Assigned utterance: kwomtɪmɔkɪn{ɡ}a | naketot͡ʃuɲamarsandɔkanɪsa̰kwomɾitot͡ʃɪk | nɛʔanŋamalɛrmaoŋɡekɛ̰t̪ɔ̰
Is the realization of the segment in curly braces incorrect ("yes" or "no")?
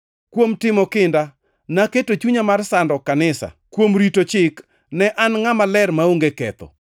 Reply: yes